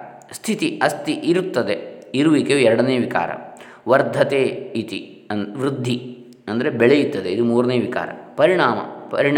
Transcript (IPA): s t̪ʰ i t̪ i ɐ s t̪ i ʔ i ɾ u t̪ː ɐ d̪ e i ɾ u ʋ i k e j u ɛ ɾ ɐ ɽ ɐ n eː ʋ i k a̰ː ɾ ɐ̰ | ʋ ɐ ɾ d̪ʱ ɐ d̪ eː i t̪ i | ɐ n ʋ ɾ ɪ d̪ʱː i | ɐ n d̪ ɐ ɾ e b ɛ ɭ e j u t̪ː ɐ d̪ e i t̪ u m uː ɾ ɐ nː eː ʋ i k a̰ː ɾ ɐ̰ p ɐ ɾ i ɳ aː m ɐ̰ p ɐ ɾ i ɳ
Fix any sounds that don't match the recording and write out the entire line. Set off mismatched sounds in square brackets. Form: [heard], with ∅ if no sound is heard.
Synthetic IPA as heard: s t̪ʰ i t̪ i ɐ s t̪ i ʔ i ɾ u t̪ː ɐ d̪ e i ɾ u ʋ i k e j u ɛ ɾ ɐ ɽ ɐ n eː ʋ i k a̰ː ɾ ɐ̰ | ʋ ɐ ɾ d̪ʱ ɐ [t̪] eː i t̪ i | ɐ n ʋ ɾ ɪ d̪ʱː i | ɐ n d̪ ɐ ɾ e b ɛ ɭ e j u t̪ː ɐ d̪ e i [d̪] u m uː ɾ ɐ [n] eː ʋ i k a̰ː ɾ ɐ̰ p ɐ ɾ i ɳ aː m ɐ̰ p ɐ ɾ i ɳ